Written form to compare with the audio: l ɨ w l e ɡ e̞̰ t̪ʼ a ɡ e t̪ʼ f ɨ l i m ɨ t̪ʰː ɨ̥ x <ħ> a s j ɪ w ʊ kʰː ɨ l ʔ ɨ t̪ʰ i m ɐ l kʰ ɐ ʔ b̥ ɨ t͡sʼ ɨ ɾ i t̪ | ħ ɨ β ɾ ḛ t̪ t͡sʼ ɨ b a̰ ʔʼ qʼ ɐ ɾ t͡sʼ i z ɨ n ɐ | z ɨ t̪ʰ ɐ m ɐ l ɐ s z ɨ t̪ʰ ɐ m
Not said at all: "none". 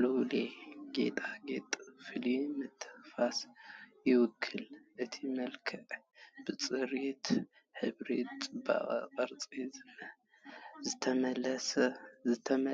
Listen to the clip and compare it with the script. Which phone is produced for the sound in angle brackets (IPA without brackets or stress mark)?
f